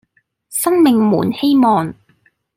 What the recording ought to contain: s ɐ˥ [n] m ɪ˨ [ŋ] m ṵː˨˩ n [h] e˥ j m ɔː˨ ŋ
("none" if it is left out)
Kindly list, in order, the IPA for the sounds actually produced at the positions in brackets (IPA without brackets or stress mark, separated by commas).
ŋ, ŋ, h